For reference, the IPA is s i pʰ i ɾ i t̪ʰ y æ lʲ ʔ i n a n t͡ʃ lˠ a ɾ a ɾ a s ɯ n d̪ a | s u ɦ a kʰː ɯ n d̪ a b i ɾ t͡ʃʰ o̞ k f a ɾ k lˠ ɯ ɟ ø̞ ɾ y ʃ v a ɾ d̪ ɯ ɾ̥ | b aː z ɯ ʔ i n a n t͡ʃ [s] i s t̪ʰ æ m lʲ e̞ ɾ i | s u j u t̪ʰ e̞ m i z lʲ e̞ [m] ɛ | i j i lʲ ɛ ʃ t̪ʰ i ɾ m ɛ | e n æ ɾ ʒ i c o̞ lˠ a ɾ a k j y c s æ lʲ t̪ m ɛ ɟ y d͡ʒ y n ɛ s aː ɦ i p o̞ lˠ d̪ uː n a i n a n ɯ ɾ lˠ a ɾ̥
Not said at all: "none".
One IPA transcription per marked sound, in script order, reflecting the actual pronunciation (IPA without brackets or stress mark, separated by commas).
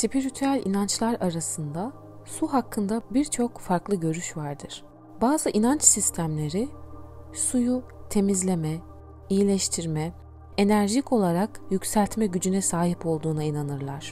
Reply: s, m